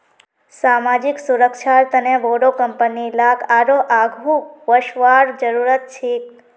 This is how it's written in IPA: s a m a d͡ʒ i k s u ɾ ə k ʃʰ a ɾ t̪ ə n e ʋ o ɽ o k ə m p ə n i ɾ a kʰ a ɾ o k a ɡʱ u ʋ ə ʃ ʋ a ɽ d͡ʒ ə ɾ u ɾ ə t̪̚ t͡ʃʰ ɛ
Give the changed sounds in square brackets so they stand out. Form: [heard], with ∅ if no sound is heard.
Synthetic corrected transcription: s a m a d͡ʒ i k s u ɾ ə k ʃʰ a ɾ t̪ ə n e ʋ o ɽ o k ə m p ə n i [l] a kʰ a ɾ o [ʔ] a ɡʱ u ʋ ə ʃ ʋ a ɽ d͡ʒ ə ɾ u ɾ ə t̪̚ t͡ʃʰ [e]